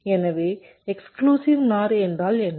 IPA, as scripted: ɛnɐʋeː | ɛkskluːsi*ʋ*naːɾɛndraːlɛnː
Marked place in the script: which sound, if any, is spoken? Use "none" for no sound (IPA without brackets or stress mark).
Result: ʋ